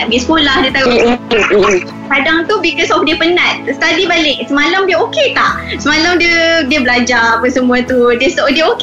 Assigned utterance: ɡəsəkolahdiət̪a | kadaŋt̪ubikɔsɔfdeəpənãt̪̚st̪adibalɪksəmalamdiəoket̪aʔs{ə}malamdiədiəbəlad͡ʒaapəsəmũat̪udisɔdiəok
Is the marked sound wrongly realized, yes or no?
no